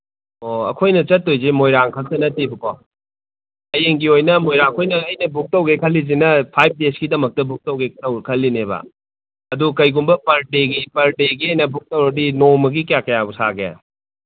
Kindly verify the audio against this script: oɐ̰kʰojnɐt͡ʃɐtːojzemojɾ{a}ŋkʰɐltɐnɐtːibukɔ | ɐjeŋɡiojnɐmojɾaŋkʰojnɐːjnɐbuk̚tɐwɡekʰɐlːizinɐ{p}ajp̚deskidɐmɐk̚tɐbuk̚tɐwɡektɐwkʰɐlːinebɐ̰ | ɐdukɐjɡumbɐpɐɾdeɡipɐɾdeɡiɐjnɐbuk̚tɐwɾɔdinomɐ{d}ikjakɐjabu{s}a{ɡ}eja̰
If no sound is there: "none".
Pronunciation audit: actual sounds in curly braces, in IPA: a, pʰ, ɡ, s, ɡ

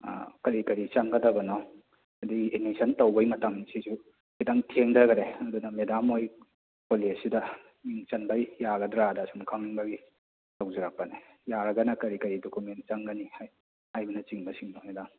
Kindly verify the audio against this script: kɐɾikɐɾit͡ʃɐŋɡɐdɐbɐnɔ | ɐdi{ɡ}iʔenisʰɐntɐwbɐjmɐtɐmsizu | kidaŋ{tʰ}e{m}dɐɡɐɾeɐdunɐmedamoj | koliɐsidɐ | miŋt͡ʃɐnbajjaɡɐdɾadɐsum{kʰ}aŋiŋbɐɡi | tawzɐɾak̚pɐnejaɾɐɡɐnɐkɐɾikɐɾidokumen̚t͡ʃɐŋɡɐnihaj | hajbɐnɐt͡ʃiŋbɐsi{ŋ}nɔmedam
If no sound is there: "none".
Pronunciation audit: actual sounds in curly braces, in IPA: ɡ, tʰ, ŋ, kʰ, ŋ

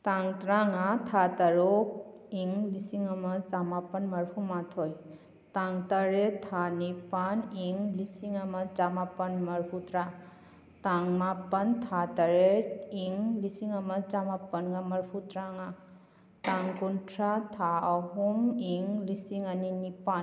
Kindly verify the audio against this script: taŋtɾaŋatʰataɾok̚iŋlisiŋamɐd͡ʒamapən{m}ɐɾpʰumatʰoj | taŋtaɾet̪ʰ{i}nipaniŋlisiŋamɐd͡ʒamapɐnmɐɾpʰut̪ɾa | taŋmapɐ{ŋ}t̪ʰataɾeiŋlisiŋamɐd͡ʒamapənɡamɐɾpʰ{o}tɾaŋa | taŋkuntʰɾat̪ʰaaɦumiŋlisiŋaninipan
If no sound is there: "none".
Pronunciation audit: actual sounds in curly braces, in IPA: m, a, n, u

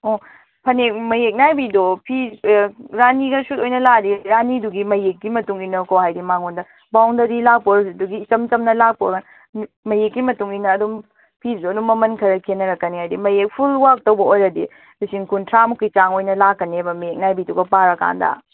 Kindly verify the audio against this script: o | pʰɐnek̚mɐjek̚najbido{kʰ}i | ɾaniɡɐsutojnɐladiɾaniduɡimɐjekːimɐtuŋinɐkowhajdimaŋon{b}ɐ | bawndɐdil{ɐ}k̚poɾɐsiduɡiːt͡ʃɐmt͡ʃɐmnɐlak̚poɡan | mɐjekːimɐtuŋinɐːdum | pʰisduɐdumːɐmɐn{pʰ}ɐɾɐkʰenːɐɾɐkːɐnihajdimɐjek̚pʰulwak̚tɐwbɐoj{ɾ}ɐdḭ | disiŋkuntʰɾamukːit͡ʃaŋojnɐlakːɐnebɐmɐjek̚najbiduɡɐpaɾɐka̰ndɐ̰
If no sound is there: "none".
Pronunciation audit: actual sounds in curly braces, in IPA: pʰ, d, a, kʰ, ɾ

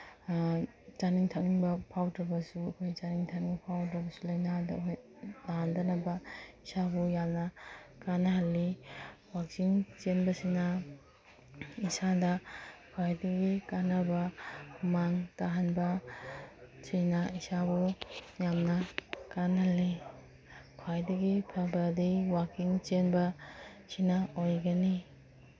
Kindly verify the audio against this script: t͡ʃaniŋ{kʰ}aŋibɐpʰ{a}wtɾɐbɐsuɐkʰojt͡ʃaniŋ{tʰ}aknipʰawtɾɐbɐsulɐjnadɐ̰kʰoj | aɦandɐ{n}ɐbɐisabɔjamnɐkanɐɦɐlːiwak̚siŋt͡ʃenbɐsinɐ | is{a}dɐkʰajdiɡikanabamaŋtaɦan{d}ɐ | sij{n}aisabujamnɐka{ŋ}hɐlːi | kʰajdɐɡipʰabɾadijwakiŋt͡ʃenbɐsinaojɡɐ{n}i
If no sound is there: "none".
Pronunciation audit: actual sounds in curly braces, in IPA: tʰ, a, tʰ, n, a, b, n, n, n

